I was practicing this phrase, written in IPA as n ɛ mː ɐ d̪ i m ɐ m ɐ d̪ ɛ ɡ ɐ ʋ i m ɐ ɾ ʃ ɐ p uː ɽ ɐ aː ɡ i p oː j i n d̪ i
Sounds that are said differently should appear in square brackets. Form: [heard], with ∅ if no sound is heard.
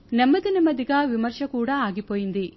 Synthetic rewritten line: n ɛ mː ɐ d̪ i [n] ɐ m ɐ d̪ [i] ɡ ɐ ʋ i m ɐ ɾ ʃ ɐ [k] uː ɽ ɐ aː ɡ i p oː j i n d̪ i